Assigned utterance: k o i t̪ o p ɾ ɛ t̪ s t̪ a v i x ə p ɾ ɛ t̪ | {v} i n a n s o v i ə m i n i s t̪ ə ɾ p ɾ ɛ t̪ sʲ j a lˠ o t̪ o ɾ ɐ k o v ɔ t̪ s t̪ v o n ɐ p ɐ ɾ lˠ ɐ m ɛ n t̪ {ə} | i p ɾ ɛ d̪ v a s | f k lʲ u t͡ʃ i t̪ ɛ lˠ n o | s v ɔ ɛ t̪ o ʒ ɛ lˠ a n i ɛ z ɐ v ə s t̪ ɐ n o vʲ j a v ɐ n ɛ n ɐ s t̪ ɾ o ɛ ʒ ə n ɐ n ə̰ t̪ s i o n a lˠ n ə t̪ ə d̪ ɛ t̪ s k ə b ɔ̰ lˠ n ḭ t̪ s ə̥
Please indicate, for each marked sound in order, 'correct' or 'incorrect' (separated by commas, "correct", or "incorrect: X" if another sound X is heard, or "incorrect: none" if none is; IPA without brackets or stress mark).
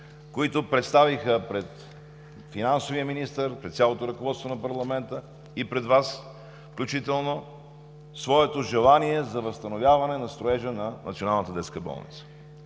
incorrect: f, correct